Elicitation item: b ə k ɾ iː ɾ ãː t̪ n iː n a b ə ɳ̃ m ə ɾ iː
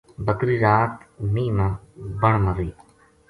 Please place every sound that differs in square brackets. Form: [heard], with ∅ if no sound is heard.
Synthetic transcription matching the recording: b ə k ɾ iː ɾ [aː] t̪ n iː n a b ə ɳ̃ m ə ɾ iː